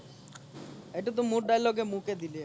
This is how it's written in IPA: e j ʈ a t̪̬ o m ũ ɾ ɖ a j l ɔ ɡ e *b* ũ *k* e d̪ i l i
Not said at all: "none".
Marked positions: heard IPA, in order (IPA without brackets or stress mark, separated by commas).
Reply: m, k